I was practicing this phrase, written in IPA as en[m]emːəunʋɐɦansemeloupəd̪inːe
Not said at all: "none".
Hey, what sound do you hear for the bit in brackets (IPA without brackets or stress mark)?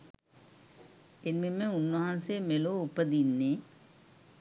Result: m